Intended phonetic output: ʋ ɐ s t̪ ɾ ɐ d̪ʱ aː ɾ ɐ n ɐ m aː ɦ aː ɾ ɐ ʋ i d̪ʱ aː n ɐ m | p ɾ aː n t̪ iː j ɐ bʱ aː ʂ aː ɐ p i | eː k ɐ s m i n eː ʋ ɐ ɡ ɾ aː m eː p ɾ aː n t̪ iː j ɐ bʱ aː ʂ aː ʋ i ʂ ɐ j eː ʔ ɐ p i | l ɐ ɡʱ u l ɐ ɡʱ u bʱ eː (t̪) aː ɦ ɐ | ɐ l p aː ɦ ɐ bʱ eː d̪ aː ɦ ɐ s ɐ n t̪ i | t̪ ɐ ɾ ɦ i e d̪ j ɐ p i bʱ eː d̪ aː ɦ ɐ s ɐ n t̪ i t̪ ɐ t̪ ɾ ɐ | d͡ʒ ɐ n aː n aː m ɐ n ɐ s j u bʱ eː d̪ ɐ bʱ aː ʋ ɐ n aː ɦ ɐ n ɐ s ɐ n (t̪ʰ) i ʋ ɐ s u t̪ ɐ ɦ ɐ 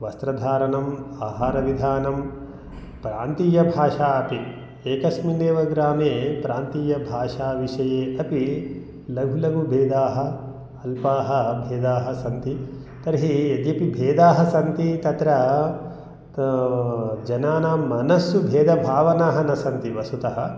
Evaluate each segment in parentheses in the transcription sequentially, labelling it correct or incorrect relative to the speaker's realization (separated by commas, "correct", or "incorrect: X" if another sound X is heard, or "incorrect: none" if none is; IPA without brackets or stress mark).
incorrect: d̪, incorrect: t̪